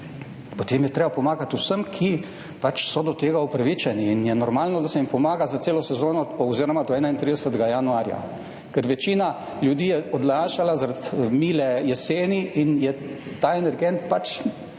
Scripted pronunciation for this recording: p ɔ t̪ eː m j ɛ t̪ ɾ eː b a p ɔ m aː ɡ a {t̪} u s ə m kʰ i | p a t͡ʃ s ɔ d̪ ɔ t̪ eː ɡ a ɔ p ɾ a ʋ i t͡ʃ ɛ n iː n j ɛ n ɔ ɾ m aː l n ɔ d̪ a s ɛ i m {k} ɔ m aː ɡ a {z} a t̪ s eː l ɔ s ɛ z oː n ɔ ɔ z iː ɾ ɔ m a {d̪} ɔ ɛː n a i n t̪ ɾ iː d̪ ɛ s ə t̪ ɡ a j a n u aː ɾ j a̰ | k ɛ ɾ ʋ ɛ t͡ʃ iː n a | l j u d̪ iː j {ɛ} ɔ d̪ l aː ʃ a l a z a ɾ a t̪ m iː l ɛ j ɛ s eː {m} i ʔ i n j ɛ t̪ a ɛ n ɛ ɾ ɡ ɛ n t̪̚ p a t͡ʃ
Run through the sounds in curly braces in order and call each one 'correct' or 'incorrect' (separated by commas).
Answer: correct, incorrect, correct, correct, correct, incorrect